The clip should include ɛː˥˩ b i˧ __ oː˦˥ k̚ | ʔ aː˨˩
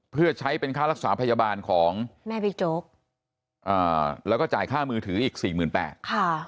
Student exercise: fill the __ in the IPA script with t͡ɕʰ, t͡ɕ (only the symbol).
t͡ɕ